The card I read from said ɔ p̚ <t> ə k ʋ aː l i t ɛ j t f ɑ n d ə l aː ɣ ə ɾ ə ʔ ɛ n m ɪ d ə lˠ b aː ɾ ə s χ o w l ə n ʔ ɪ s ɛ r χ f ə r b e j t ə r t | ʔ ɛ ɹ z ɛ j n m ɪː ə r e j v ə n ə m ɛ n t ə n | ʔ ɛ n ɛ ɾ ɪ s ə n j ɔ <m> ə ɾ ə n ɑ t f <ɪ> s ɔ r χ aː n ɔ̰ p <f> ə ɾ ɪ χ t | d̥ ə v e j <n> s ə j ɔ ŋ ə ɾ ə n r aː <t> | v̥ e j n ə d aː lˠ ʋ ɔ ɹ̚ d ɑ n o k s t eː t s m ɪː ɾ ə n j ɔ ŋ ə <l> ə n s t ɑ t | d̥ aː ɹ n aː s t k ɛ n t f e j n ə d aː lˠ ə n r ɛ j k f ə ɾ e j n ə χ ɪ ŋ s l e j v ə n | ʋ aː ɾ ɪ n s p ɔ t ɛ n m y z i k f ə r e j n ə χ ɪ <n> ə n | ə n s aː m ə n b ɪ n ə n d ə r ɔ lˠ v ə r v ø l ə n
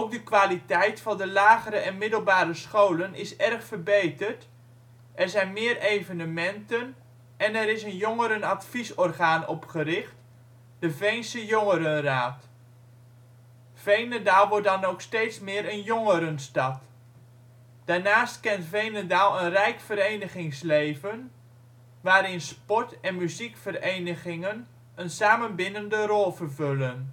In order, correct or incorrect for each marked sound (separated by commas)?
incorrect, incorrect, incorrect, incorrect, correct, correct, incorrect, incorrect